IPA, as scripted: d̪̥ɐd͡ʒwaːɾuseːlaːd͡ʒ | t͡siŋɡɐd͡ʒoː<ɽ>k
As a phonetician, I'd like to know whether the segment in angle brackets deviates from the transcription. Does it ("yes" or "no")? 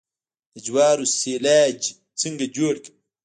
no